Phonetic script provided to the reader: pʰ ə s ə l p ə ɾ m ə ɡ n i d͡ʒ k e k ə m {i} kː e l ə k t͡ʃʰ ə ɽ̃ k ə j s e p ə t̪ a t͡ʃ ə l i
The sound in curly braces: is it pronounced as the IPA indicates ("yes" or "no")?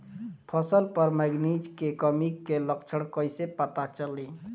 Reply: yes